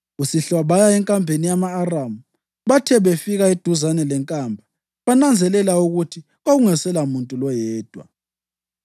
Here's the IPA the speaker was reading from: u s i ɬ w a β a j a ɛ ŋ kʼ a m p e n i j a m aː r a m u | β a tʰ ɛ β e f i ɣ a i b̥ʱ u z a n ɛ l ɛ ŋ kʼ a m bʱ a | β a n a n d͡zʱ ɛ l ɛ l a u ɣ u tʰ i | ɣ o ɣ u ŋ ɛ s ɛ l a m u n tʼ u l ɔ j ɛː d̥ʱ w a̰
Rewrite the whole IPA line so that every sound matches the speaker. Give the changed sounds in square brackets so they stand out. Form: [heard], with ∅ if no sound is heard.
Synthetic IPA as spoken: u s i ɬ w a β a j a ɛ ŋ kʼ a m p e n i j a m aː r a m u | β a tʰ ɛ β e f i ɣ a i [d̥ʱ] u z a n ɛ l ɛ ŋ kʼ a m bʱ a | β a n a n d͡zʱ ɛ l ɛ l a u ɣ u tʰ i | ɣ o ɣ u ŋ ɛ s ɛ l a m u n tʼ u l ɔ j ɛː d̥ʱ w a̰